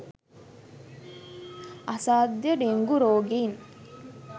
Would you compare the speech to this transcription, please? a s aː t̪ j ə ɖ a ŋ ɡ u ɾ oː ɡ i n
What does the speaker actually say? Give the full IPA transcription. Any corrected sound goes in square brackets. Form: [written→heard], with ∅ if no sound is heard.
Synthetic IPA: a s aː [t̪→d̪] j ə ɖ [a→e] ŋ ɡ u ɾ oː ɡ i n